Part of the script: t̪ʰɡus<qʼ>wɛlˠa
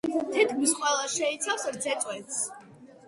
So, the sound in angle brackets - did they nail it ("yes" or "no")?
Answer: yes